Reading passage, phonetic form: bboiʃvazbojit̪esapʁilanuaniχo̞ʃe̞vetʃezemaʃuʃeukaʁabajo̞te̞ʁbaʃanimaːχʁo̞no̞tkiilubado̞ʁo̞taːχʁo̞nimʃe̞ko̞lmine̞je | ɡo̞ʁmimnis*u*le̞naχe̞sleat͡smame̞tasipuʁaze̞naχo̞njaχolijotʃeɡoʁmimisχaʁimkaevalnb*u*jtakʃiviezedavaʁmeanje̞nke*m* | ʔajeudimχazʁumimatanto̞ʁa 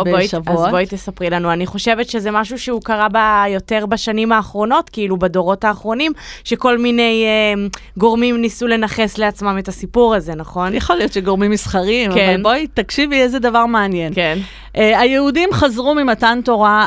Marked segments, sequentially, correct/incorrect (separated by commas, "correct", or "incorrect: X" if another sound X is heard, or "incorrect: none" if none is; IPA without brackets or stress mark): correct, incorrect: o, incorrect: n